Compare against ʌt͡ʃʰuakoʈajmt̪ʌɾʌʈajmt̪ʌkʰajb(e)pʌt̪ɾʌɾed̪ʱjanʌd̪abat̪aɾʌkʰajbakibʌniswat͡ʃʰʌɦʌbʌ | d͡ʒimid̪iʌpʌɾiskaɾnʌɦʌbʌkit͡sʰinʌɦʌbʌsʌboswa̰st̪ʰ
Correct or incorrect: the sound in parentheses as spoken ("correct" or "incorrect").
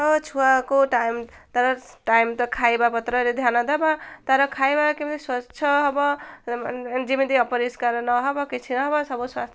incorrect